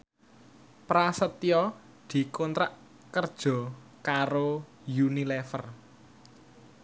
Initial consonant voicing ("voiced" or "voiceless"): voiceless